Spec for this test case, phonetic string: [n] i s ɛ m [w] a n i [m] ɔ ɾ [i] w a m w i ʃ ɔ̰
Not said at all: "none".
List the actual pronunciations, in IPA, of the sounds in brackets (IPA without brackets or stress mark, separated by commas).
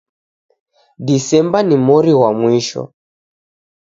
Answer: d, b, m, i